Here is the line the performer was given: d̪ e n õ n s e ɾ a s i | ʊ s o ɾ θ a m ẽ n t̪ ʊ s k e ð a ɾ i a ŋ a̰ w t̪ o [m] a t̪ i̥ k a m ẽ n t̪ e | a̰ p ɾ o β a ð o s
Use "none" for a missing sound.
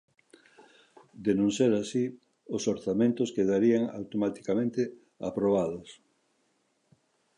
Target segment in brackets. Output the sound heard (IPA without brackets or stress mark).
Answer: m